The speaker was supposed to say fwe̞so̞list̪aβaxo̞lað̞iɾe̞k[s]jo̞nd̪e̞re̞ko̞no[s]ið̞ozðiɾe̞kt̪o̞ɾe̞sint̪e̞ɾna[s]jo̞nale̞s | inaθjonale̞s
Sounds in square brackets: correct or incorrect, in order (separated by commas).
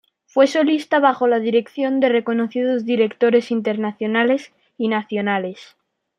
incorrect, incorrect, incorrect